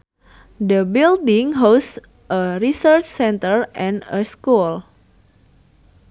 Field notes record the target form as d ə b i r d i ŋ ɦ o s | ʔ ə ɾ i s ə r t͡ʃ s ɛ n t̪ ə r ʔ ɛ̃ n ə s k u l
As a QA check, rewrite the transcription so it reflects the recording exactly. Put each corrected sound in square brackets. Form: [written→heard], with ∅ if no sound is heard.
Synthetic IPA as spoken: d ə b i [r→l] d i ŋ ɦ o s | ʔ ə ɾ i s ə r t͡ʃ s ɛ n t̪ ə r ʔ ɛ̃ n ə s k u l